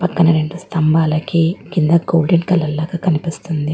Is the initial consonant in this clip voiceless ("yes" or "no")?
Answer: yes